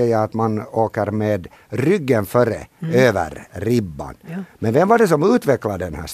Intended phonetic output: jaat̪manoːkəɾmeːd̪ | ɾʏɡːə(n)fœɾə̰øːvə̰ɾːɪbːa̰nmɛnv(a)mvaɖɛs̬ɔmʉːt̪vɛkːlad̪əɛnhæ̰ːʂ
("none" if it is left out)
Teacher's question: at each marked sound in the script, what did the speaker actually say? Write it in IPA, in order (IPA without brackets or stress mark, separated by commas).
n, ɛ